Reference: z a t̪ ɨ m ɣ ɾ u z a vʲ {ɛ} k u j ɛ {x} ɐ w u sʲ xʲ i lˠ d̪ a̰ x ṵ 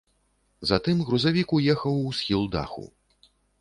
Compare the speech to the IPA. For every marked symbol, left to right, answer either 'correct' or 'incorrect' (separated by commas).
incorrect, correct